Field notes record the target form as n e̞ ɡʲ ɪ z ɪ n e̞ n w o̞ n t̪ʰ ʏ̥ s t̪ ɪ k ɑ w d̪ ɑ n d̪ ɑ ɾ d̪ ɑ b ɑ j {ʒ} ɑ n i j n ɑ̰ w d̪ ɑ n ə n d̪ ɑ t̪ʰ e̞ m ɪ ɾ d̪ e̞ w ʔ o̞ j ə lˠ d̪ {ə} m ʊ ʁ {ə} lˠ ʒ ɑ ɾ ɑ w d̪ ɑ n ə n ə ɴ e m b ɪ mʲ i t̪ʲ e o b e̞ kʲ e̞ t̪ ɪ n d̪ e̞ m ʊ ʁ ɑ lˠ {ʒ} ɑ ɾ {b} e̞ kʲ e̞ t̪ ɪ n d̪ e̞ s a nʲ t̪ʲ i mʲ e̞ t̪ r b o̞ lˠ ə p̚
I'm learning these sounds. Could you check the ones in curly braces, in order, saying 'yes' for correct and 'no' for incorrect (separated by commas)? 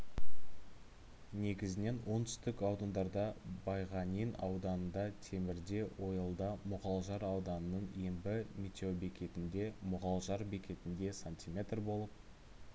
no, no, no, yes, yes